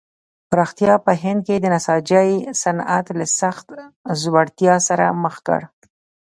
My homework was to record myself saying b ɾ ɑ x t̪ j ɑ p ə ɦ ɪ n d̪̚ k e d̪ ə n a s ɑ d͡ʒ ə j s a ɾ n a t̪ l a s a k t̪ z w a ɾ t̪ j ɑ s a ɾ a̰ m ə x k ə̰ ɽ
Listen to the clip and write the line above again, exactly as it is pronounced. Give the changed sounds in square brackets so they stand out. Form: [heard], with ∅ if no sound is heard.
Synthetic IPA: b ɾ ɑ x t̪ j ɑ p ə ɦ ɪ n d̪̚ k e d̪ ə n a s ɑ d͡ʒ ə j s a [∅] n a t̪ l a s a [x] t̪ z w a [ɽ] t̪ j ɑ s a ɾ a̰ m ə x k ə̰ ɽ